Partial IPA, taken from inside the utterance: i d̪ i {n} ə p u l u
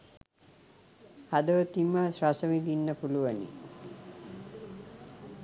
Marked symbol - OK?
no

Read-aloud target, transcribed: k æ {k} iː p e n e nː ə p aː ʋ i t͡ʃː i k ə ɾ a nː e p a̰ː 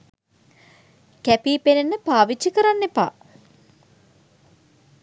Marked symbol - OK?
no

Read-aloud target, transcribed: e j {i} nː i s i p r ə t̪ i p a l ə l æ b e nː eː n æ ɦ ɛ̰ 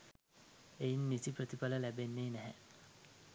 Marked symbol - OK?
yes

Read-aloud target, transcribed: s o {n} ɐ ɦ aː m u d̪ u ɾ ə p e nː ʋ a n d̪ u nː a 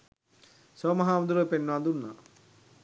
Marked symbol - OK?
no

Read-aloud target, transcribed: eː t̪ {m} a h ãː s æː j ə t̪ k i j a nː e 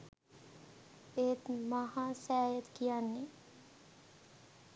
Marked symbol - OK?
yes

